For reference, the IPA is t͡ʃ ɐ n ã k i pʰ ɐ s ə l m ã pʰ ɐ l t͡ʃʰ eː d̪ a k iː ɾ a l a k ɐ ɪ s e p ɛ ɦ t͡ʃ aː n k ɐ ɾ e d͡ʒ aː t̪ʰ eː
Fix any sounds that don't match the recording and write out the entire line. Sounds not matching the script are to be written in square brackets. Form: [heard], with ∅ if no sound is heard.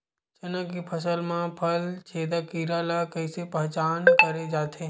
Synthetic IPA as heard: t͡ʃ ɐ n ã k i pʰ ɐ s ə l m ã pʰ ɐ l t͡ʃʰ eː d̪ a k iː ɾ a l a k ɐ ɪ s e p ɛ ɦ t͡ʃ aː n k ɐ ɾ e d͡ʒ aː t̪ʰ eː